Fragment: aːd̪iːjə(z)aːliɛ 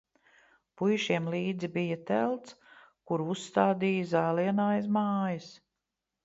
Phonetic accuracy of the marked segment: correct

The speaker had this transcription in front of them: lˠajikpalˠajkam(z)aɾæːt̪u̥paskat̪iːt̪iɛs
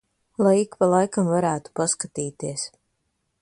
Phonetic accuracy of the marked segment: incorrect: v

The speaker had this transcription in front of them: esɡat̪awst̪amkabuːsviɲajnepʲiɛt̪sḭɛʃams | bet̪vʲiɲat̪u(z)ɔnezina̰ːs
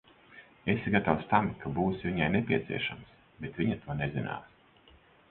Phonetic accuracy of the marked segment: incorrect: none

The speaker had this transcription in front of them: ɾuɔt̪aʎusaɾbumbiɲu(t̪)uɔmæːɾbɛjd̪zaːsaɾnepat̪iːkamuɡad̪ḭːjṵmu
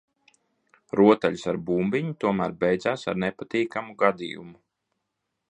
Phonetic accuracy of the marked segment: correct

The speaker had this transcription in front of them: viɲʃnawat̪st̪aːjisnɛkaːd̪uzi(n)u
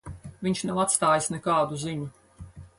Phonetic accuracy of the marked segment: incorrect: ɲ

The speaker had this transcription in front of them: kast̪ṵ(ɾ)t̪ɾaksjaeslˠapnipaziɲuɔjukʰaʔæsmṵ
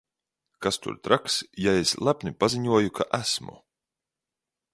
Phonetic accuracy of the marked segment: correct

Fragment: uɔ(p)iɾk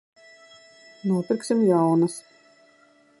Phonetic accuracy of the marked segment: correct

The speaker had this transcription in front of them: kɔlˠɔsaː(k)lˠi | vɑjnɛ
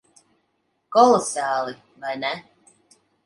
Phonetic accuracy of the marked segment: incorrect: none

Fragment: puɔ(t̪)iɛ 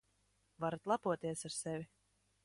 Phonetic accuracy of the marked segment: correct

